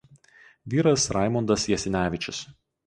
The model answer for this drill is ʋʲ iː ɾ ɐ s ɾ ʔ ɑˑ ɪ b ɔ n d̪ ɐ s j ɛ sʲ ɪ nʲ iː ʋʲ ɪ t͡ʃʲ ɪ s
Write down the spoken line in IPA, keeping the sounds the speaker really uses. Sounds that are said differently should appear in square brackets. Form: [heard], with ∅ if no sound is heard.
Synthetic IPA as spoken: ʋʲ iː ɾ ɐ s ɾ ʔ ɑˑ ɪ [m] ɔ n d̪ ɐ s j ɛ sʲ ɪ nʲ [æː] ʋʲ ɪ t͡ʃʲ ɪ s